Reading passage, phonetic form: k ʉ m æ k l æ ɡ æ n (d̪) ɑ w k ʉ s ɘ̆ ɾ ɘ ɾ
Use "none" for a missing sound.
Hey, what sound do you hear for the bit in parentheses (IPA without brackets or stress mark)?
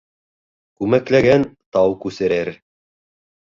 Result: t̪